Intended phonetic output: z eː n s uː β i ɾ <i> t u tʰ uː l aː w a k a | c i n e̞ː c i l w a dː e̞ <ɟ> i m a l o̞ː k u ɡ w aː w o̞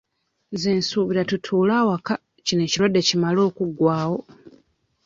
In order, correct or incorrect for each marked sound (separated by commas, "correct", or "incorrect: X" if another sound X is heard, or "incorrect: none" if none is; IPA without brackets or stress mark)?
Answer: incorrect: a, incorrect: c